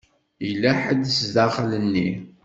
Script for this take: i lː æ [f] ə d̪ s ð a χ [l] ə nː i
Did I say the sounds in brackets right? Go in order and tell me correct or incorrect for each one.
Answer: incorrect: ħ, correct

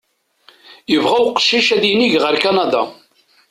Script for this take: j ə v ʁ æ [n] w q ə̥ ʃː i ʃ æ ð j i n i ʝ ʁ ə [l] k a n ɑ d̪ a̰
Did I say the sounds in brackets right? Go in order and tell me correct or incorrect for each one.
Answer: incorrect: none, incorrect: ɾ

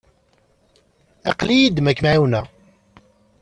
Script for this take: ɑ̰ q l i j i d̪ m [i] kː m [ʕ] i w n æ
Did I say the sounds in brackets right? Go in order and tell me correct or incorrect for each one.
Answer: incorrect: æ, correct

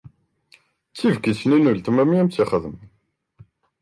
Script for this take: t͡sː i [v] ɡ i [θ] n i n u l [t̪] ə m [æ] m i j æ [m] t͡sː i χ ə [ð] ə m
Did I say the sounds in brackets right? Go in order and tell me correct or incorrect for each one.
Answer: correct, incorrect: s, correct, correct, correct, correct

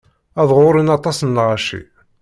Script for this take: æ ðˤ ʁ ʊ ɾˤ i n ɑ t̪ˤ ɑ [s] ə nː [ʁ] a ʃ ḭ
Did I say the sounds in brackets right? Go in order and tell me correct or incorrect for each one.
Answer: correct, correct

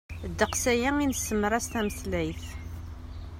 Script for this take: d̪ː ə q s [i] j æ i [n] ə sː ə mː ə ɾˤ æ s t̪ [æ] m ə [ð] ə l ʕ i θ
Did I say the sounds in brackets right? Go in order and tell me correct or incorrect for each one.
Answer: incorrect: æ, correct, correct, incorrect: θ

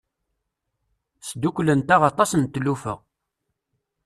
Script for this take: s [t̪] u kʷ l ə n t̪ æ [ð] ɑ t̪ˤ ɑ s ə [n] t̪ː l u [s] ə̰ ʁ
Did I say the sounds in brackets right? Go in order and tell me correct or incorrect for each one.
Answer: incorrect: d̪, incorrect: ʁ, correct, incorrect: f

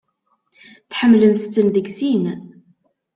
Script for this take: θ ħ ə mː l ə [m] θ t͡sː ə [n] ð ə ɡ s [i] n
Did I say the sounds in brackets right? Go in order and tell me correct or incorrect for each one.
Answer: correct, correct, correct

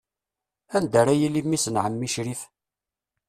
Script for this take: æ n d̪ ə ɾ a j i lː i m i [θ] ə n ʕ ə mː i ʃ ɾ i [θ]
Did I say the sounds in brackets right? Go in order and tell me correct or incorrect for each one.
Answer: incorrect: s, incorrect: f

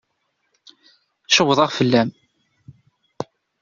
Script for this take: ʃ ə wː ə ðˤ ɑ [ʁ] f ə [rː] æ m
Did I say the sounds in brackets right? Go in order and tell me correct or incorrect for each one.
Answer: correct, incorrect: lː

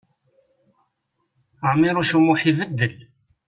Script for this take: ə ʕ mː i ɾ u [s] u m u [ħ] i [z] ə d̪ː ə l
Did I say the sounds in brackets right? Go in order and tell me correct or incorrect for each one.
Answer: incorrect: ʃ, correct, incorrect: v

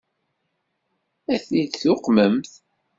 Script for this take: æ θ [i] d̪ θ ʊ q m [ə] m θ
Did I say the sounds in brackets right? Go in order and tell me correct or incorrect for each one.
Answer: correct, correct

